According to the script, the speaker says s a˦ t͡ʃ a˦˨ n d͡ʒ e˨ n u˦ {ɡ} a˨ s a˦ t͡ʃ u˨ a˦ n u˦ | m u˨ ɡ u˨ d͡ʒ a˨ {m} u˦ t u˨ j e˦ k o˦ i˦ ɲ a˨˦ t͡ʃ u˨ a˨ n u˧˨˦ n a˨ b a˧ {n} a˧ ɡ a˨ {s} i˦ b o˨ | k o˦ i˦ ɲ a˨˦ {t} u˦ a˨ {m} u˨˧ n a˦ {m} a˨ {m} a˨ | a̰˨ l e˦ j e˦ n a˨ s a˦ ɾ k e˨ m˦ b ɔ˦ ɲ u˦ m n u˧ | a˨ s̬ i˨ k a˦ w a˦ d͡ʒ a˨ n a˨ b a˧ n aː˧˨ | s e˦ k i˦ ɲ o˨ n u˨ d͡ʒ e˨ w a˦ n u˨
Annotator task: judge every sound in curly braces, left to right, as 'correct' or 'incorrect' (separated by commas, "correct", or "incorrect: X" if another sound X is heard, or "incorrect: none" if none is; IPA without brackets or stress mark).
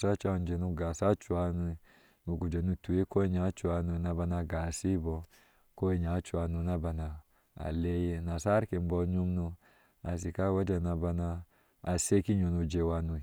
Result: correct, incorrect: n, correct, correct, incorrect: t͡ʃ, incorrect: n, incorrect: b, incorrect: n